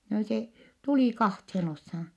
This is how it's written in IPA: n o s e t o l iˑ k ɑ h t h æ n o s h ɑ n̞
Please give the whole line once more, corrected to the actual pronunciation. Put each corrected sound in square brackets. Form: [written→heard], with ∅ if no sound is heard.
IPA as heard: n o s e t [o→u] l iˑ k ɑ h t h [æ→e] n o s h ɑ n̞